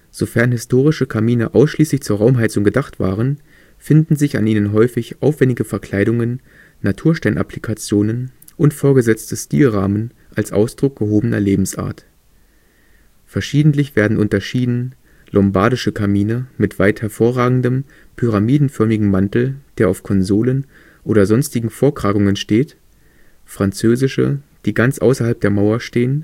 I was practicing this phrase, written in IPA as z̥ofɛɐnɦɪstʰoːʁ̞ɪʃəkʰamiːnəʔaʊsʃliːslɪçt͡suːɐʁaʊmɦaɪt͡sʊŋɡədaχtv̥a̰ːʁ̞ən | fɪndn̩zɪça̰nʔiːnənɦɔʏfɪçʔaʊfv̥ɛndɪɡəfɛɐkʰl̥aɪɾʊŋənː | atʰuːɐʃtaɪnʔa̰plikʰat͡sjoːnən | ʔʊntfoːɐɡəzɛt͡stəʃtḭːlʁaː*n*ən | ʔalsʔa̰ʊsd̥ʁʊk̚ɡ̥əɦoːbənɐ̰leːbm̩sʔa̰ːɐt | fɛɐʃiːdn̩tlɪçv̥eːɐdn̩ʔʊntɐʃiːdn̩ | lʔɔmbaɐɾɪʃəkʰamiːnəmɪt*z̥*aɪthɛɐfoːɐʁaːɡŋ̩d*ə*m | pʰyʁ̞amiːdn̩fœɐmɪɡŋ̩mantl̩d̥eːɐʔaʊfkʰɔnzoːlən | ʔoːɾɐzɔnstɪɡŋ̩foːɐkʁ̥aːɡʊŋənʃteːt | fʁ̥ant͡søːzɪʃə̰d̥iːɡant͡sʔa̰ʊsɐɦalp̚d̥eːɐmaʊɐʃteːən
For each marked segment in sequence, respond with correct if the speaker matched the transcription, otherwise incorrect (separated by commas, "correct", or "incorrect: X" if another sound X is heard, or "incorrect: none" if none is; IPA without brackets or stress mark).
incorrect: m, incorrect: v̥, correct